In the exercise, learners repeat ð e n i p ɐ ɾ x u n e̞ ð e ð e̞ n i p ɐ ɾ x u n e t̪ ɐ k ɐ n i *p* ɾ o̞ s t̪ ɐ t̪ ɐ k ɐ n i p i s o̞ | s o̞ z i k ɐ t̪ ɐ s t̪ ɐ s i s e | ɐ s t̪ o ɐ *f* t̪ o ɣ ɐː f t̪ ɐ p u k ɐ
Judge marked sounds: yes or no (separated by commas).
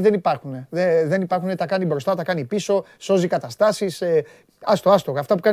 no, no